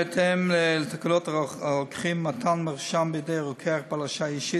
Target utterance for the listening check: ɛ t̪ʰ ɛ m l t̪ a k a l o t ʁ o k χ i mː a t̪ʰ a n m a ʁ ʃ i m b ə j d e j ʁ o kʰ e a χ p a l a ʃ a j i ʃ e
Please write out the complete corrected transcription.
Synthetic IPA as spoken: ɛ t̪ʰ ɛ m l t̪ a k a l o t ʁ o k χ i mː a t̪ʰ a n m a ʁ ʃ a m b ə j d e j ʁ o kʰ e a χ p a l a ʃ a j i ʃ i